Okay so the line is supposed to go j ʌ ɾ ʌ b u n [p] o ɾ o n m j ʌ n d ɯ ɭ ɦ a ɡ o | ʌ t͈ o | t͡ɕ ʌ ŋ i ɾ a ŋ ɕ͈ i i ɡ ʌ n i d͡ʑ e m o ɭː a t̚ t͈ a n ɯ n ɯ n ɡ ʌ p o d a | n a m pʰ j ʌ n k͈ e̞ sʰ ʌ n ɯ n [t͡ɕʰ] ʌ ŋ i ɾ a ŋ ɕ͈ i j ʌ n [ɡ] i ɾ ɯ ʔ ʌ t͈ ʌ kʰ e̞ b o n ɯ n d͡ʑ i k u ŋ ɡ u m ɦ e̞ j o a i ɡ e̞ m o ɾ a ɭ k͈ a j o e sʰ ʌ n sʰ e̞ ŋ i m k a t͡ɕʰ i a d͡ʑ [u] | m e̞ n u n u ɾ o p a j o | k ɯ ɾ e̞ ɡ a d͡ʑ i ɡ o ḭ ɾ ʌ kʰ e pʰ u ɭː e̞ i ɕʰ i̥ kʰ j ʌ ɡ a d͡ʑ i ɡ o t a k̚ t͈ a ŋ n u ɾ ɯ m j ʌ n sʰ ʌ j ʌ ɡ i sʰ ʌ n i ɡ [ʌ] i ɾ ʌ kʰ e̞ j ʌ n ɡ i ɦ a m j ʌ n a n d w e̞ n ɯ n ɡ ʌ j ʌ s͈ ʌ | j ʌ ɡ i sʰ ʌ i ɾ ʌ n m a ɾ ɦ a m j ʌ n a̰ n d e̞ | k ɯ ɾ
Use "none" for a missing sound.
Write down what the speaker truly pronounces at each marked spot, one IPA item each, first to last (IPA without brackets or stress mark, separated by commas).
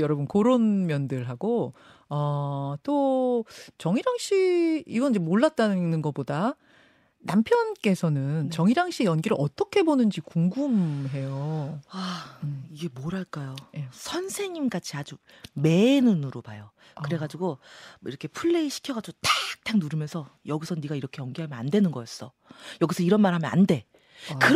k, t͡ɕ, ɡ, u, a